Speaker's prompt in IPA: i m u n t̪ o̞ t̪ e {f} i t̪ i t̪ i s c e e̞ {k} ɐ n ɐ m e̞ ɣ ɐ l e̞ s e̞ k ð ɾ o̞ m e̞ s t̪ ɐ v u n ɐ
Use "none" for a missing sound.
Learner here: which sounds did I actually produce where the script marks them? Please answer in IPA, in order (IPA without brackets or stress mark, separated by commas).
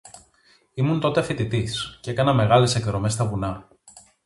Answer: f, k